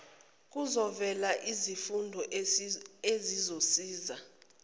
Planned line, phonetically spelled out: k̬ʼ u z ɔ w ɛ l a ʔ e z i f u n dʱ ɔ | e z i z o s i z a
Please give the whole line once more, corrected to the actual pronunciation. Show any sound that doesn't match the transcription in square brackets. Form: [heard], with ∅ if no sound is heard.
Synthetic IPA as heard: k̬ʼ u z ɔ [v] ɛ l a ʔ [i] z i f u n dʱ ɔ | e z i z o s [iː] z a